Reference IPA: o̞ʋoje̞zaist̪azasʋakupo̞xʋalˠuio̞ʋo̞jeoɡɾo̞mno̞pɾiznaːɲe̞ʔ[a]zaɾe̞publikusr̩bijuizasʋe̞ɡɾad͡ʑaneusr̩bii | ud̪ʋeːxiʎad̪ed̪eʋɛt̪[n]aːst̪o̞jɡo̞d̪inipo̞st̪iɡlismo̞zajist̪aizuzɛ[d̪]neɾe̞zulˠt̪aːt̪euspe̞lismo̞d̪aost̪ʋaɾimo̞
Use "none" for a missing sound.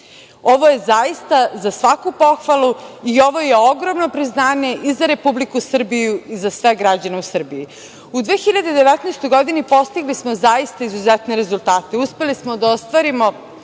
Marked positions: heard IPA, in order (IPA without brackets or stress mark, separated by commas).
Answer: i, n, t̪